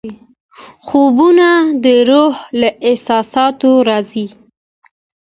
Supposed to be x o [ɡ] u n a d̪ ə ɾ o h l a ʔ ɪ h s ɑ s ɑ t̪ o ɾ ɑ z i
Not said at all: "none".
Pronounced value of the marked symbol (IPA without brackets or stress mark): b